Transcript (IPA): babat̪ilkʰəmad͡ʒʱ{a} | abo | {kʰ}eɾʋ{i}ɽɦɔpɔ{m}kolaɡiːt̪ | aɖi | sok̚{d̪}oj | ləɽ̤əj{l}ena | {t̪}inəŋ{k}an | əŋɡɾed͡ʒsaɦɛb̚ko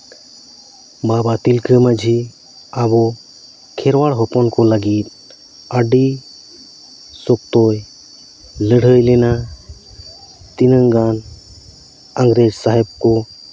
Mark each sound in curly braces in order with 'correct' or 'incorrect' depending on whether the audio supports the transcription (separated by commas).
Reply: incorrect, correct, incorrect, incorrect, incorrect, correct, correct, incorrect